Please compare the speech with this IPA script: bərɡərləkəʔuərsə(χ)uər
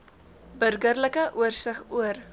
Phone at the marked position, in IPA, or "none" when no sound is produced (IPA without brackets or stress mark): χ